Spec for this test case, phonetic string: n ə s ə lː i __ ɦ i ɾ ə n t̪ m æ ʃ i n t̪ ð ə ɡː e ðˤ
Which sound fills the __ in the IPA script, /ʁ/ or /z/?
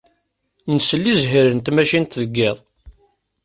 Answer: z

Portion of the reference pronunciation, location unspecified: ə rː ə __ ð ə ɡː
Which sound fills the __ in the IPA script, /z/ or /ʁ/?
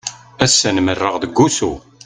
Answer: ʁ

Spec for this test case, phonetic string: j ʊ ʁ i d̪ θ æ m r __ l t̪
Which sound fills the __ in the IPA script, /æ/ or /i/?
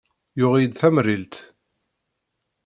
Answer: i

